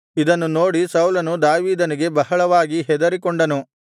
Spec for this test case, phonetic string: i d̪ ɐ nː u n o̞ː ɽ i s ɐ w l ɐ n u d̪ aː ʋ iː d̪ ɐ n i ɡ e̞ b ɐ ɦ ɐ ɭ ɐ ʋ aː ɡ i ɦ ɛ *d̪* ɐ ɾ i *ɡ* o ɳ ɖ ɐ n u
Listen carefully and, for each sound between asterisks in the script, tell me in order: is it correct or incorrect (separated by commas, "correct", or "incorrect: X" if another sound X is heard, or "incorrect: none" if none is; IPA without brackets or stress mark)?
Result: correct, incorrect: k